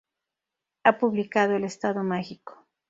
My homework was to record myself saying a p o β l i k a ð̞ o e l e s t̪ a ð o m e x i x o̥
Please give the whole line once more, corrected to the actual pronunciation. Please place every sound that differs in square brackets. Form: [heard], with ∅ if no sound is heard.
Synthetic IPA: a p [u] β l i k a ð̞ o e l e s t̪ a ð o m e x i [k] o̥